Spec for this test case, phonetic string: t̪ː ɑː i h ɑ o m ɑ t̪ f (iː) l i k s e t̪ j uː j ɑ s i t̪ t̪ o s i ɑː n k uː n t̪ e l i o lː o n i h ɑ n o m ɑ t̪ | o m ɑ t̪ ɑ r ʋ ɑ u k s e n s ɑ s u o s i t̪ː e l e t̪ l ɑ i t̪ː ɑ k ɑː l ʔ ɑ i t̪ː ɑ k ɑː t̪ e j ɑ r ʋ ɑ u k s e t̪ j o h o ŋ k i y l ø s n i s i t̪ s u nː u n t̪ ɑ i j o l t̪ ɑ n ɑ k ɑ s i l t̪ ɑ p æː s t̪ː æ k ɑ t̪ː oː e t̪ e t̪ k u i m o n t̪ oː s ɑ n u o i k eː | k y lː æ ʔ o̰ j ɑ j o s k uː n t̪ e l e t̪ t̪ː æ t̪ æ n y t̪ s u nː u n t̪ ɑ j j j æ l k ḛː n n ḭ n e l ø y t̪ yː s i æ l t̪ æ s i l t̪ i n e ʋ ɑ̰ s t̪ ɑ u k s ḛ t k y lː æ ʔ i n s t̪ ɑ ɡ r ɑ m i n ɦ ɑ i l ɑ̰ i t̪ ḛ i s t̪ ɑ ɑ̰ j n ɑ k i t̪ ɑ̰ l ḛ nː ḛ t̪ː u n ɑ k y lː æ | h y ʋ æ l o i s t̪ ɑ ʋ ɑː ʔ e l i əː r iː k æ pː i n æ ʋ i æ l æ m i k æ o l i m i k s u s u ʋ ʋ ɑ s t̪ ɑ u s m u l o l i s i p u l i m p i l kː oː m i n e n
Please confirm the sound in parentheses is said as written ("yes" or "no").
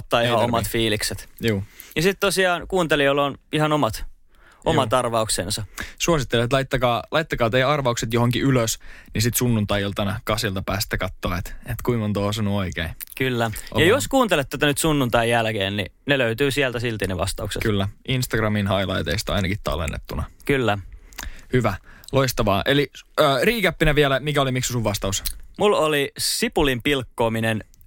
yes